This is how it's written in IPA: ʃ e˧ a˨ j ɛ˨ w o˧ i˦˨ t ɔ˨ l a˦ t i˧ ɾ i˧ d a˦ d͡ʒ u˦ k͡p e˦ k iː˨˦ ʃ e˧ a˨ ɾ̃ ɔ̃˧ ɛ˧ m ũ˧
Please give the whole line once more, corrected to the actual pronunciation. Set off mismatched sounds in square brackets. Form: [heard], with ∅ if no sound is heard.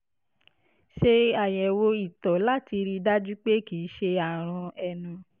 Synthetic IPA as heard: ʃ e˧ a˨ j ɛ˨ w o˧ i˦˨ t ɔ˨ l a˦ t i˧ ɾ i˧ d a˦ d͡ʒ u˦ k͡p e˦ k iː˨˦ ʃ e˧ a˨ ɾ̃ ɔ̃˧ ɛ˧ [n] ũ˧